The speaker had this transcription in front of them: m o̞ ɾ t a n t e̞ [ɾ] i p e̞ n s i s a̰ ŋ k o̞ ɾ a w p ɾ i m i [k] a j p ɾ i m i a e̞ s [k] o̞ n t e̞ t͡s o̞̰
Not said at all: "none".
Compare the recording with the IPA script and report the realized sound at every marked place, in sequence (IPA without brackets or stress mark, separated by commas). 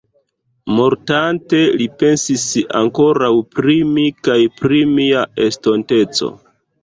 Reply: l, k, t